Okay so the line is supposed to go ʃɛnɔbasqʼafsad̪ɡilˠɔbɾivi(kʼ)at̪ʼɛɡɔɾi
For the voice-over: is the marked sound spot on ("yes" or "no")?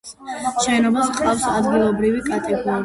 yes